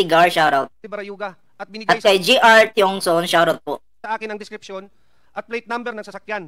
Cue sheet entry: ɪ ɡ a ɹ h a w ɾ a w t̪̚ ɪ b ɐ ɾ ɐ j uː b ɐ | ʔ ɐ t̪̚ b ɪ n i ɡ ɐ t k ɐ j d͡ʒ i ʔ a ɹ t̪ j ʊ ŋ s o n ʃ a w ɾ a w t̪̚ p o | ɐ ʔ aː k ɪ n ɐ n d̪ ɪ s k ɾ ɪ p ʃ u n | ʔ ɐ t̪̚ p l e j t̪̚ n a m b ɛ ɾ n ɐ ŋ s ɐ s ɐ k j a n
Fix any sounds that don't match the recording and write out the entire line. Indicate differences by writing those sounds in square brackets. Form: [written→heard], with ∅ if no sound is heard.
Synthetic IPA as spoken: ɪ ɡ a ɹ [h→ʃ] a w ɾ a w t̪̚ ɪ b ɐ ɾ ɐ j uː [b→ɡ] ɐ | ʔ ɐ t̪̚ b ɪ n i ɡ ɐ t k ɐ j d͡ʒ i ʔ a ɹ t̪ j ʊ ŋ s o n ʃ a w ɾ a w t̪̚ p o | ɐ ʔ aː k ɪ n ɐ [n→ŋ] d̪ ɪ s k ɾ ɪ p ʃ [u→o] n | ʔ ɐ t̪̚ p l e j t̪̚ n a m b ɛ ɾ n ɐ ŋ s ɐ s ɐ k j a n